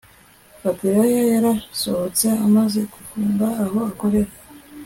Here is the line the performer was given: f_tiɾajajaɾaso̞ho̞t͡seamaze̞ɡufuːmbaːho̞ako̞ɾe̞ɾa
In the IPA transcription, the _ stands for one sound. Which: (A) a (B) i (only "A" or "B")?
A